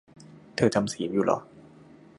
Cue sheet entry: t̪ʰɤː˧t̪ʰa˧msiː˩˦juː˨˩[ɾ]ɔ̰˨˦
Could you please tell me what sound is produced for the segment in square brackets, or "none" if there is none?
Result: l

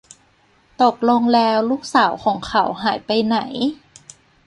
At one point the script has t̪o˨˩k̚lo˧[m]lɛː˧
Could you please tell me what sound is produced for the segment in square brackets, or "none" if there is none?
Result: ŋ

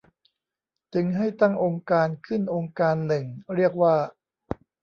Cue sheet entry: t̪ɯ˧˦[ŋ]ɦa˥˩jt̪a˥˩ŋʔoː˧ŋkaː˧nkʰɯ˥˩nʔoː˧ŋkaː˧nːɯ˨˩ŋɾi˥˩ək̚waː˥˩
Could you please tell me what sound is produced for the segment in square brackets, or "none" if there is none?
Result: ŋ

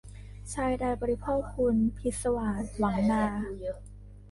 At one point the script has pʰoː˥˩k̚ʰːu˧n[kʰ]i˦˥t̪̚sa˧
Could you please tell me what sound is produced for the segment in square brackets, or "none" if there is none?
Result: pʰ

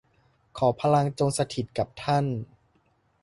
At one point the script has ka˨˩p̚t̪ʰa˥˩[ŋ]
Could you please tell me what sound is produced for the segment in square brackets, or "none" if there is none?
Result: n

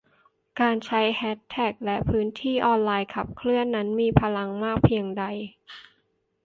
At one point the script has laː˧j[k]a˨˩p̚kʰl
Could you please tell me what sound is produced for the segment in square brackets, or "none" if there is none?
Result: kʰ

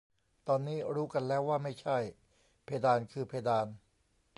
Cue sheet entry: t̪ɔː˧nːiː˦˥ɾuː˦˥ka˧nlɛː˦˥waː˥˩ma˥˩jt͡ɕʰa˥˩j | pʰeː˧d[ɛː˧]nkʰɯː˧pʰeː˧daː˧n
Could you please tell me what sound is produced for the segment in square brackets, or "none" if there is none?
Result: aː˧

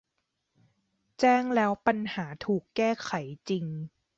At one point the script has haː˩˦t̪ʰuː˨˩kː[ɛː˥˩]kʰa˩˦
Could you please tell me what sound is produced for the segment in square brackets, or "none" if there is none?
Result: ɛː˥˩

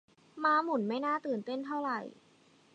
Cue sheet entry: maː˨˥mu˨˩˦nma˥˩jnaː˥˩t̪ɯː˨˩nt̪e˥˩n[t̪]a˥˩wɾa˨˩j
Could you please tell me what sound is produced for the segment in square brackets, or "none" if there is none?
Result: t̪ʰ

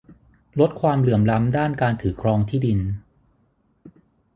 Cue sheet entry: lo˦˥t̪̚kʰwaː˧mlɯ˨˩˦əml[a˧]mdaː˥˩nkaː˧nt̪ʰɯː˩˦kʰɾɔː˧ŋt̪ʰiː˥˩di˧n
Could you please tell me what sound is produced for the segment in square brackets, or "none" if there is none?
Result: a˦˥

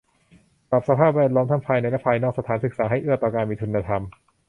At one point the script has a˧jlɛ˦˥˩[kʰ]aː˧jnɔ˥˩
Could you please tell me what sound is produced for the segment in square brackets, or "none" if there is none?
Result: pʰ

